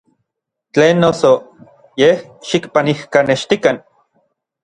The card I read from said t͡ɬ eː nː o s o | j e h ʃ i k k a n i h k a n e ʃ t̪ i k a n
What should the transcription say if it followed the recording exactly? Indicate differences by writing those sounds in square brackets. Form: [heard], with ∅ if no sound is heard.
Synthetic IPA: t͡ɬ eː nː o s o | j e h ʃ i k [p] a n i h k a n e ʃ t̪ i k a n